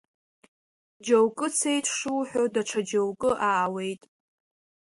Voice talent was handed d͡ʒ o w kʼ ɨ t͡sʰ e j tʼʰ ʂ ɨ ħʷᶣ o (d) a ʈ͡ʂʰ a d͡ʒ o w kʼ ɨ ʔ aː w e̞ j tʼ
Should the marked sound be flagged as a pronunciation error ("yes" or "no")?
no